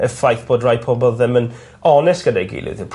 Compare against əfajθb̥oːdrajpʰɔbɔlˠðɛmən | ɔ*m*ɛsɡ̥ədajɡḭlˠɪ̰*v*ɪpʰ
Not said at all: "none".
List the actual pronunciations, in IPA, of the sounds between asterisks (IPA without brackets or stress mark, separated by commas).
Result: n, ð